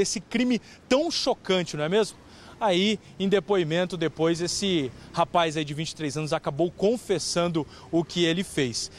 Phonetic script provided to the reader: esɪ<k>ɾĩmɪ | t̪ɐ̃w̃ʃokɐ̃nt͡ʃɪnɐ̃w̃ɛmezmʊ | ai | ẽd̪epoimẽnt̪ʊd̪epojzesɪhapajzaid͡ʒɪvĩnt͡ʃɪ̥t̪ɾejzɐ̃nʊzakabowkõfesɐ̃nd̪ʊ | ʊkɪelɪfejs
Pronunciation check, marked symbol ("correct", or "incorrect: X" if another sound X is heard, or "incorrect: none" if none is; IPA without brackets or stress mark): correct